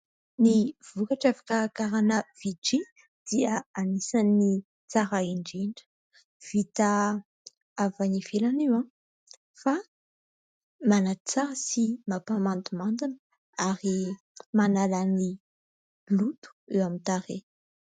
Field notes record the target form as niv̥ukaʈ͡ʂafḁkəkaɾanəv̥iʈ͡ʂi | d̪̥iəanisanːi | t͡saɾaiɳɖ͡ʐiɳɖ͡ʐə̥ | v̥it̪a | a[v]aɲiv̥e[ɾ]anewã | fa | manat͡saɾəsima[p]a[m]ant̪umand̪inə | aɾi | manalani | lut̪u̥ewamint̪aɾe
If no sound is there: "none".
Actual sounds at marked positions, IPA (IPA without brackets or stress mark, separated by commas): v, l, p, m